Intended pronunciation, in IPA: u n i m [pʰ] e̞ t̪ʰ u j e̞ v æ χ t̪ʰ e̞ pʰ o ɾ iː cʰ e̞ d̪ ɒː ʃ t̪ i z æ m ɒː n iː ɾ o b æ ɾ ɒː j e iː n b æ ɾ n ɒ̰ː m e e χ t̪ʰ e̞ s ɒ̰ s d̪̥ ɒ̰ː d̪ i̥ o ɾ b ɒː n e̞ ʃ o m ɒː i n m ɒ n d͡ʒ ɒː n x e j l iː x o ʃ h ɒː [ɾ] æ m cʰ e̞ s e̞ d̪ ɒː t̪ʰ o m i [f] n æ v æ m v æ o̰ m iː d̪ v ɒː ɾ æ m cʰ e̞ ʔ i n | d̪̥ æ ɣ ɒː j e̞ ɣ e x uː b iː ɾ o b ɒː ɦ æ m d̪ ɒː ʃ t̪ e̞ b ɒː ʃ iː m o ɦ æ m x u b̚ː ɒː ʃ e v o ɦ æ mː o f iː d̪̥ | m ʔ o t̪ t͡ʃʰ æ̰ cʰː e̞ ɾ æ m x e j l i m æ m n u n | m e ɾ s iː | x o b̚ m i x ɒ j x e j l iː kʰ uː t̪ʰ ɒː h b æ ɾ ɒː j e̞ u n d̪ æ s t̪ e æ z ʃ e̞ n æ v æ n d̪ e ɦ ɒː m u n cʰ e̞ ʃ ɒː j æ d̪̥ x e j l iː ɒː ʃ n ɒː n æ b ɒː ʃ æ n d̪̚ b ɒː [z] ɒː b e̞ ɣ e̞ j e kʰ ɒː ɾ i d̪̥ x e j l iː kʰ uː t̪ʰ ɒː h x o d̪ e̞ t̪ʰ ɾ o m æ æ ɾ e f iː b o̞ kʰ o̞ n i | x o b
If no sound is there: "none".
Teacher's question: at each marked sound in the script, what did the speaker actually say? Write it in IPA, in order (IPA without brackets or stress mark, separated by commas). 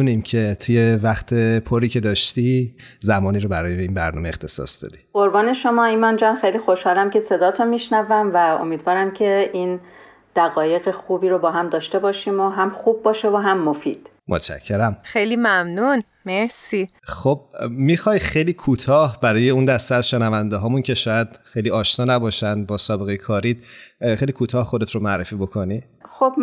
cʰ, l, ʃ, s